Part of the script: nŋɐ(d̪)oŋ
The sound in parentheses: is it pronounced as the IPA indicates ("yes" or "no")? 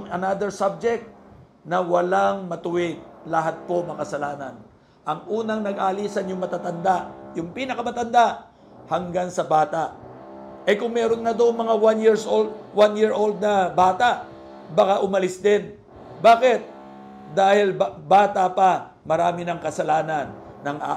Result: yes